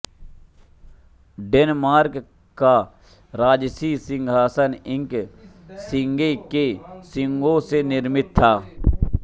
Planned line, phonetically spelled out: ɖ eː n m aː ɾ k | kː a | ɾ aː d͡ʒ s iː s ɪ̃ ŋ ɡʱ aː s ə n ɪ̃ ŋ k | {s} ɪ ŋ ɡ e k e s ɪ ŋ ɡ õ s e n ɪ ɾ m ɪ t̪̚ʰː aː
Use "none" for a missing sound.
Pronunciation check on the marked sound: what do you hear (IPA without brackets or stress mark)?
s